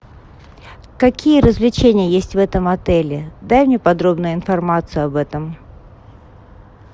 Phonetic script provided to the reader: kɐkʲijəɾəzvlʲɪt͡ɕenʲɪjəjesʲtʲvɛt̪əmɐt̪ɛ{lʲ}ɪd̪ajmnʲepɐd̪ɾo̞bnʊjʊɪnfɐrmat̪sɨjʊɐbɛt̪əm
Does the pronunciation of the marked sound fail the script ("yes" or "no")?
no